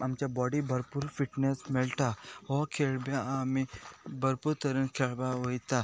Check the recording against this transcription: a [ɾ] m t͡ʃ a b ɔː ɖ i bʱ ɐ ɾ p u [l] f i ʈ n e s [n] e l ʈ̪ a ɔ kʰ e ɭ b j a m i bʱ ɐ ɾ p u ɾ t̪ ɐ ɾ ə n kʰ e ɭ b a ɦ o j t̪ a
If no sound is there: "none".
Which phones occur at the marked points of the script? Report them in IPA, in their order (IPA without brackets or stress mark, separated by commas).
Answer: none, ɾ, m